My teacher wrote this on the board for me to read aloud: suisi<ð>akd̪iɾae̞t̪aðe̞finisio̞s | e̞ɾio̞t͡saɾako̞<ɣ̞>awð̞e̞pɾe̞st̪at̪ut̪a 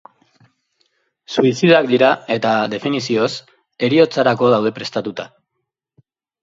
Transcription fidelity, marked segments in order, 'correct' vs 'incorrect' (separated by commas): correct, incorrect